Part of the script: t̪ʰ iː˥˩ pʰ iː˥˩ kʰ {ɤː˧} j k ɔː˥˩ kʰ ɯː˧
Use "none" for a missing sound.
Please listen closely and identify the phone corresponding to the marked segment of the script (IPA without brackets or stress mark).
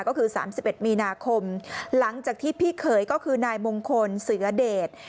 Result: ɤː˩˦